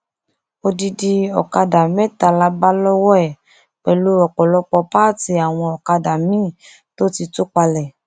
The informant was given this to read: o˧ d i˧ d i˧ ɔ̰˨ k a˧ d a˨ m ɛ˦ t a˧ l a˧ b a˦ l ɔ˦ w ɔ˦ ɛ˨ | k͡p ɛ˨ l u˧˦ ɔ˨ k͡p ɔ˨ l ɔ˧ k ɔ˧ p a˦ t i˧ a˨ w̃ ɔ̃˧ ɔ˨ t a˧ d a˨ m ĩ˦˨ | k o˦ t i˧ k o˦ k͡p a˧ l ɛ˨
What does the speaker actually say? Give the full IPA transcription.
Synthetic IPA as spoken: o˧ d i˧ d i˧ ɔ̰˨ k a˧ d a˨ m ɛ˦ t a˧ l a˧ b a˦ l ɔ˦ w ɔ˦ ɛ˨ | k͡p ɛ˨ l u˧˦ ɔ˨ k͡p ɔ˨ l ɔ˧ k͡p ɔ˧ p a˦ t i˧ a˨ w̃ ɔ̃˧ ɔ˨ k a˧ d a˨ m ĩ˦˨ | t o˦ t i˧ t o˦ k͡p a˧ l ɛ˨